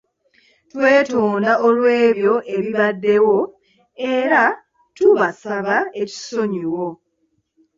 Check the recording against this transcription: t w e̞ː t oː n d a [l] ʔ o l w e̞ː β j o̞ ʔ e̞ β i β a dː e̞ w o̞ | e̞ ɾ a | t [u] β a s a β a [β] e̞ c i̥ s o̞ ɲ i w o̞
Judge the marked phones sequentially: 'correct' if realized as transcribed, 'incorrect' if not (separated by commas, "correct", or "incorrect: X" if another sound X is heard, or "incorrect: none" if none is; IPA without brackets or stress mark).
incorrect: none, correct, incorrect: none